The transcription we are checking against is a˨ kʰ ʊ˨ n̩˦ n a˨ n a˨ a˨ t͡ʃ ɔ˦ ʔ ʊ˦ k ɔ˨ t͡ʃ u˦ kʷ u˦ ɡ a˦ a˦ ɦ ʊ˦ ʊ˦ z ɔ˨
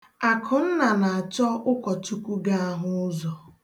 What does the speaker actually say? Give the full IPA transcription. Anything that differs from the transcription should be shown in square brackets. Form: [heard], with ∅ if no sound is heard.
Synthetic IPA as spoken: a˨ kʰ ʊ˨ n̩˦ n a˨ n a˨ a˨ t͡ʃ ɔ˦ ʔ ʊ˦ k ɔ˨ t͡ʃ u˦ kʷ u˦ ɡ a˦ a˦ ɦ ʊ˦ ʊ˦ z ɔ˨